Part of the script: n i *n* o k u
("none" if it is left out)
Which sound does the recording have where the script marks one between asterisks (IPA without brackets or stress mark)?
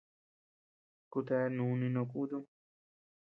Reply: n